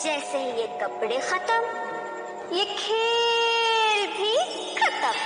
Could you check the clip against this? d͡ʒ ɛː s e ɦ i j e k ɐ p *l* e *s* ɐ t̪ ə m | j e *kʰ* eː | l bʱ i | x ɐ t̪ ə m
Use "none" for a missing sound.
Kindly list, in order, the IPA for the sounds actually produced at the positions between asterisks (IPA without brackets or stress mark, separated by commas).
ɽ, x, kʰ